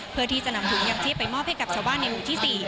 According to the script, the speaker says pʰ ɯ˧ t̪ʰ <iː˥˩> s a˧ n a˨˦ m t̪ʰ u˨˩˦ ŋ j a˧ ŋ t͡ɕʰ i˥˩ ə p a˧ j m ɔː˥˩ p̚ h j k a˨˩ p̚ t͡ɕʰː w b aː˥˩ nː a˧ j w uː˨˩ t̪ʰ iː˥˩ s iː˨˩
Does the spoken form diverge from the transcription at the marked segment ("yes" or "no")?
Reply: yes